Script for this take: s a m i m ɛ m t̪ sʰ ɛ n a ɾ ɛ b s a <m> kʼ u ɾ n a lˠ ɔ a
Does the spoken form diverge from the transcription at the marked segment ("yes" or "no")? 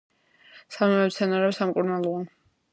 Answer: no